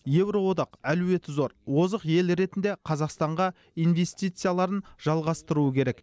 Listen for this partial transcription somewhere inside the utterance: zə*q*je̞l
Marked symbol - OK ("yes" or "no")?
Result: yes